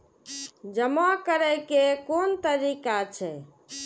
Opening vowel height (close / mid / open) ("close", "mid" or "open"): mid